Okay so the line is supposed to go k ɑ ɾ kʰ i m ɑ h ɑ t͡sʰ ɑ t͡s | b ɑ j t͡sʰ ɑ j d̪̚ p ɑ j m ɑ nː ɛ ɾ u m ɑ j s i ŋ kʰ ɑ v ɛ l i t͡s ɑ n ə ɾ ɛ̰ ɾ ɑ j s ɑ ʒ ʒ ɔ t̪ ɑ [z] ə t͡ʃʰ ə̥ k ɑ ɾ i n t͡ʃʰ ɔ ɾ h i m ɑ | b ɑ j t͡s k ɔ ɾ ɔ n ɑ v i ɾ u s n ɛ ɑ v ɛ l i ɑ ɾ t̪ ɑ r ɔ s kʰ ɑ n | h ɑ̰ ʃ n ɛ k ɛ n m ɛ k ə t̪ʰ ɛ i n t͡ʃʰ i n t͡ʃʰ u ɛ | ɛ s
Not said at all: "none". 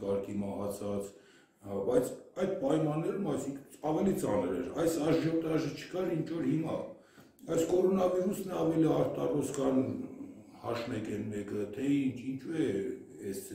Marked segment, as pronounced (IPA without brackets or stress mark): ʒ